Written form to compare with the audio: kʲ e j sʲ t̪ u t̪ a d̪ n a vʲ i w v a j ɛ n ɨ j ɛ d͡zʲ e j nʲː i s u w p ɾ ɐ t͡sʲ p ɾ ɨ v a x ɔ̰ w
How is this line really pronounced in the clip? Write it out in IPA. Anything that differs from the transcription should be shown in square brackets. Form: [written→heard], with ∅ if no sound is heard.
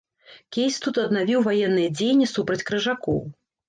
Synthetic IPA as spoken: kʲ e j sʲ t̪ u t̪ [a→ɐ] d̪ n a vʲ i w v a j ɛ [n→nː] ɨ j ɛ d͡zʲ e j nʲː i s u [w→∅] p ɾ ɐ t͡sʲ [p→k] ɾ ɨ [v→ʐ] a [x→k] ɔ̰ w